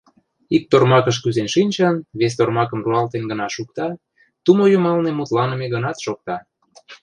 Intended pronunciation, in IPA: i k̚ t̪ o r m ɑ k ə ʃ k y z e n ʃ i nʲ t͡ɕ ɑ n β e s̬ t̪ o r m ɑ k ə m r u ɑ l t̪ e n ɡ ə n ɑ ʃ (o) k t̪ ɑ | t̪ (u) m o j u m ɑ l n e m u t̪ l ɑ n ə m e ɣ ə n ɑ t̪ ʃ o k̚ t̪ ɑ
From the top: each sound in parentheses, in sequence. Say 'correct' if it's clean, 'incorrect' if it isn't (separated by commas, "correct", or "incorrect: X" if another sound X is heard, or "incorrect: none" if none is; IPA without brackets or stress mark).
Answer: incorrect: u, correct